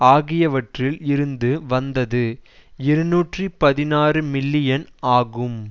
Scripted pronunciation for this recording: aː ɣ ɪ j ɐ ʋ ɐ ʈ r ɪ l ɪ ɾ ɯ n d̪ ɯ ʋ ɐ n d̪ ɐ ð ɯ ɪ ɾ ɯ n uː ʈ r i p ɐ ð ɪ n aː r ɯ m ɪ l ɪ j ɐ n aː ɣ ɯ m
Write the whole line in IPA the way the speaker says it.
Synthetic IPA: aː ɣ ɪ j ɐ ʋ ɐ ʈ r ɪ l ɪ ɾ ɯ n d̪ ɯ ʋ ɐ n d̪ ɐ ð ɯ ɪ ɾ ɯ n uː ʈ r i p ɐ ð ɪ n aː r ɯ m ɪ lː ɪ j ɐ n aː ɣ ɯ m